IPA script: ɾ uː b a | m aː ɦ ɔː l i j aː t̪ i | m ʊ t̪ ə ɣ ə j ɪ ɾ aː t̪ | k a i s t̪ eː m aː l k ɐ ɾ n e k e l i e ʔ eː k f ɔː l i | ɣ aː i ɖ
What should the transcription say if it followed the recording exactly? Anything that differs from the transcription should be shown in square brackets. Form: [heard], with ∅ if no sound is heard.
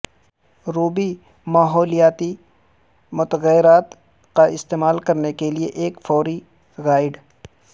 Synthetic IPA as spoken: ɾ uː b [i] | m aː ɦ ɔː l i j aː t̪ i | m ʊ t̪ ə ɣ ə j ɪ ɾ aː t̪ | k a [ɪ] s t̪ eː m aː l k ɐ ɾ n e k e l i e ʔ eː k f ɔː [ɾ] i | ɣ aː [ɪ] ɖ

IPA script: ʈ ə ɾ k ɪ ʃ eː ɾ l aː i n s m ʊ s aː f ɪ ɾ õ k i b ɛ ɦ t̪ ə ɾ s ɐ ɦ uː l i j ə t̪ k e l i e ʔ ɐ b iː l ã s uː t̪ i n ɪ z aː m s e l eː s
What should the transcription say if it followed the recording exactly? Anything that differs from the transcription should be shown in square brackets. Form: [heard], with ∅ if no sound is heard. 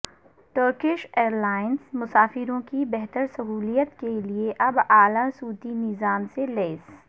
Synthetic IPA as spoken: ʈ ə ɾ k ɪ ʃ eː ɾ l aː [ɪ] n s m ʊ s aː f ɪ ɾ õ k i b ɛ ɦ t̪ ə ɾ s ɐ ɦ uː l i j ə t̪ k e l i e ʔ ɐ b [aː] l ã s uː t̪ i n ɪ z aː m s e l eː s

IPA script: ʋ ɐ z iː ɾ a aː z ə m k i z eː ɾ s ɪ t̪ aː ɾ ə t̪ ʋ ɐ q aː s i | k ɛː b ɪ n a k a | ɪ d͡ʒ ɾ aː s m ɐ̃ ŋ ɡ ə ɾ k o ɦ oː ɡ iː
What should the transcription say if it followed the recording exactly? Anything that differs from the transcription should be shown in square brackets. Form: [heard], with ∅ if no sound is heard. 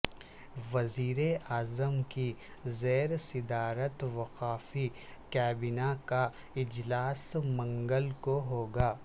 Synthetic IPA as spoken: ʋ ɐ z iː ɾ [e] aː z ə m k i z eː ɾ s ɪ [d̪] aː ɾ ə t̪ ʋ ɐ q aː [f] i | k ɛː b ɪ n a k a | ɪ d͡ʒ [l] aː s m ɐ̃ ŋ ɡ ə [l] k o ɦ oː ɡ [aː]

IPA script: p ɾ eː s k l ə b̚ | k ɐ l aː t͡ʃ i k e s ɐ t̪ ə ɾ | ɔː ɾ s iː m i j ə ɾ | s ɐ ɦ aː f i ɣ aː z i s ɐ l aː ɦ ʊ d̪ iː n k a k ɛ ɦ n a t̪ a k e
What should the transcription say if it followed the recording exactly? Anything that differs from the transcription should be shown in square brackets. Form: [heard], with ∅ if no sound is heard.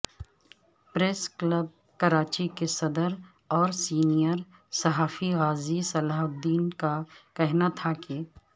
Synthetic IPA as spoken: p ɾ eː s k l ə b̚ | k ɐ [ɾ] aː t͡ʃ i k e s ɐ [d̪] ə ɾ | ɔː ɾ s iː [n] i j ə ɾ | s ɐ ɦ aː f i ɣ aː z i s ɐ l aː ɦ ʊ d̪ iː n k a k ɛ ɦ n a [t̪ʰ] a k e

